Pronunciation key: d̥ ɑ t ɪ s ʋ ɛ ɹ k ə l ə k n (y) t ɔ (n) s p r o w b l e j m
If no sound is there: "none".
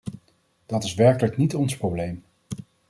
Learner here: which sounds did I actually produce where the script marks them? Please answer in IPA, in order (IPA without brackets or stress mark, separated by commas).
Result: i, n